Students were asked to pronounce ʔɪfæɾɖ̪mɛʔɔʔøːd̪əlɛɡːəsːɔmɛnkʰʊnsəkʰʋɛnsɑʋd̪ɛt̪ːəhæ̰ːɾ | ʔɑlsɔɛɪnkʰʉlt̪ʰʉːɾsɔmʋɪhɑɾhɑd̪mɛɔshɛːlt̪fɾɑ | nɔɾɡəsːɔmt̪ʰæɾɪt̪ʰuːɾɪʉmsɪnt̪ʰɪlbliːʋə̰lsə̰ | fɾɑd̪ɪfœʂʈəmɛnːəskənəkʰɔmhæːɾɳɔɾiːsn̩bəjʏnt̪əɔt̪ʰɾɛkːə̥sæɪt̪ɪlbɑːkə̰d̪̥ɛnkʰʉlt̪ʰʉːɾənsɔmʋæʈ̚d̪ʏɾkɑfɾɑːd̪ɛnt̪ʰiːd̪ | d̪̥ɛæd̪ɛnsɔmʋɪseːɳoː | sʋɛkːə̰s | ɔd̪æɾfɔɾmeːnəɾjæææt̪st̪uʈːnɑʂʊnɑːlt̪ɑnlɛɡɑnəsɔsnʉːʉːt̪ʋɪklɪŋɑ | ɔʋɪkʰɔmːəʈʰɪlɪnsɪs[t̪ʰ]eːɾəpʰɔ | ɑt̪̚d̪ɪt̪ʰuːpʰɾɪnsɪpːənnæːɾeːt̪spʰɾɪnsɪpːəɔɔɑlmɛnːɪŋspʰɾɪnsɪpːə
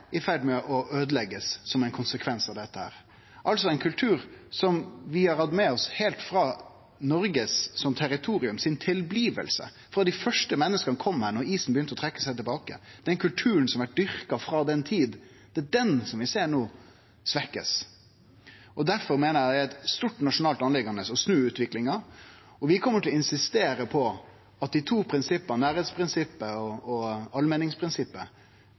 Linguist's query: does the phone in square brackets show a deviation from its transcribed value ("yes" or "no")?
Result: yes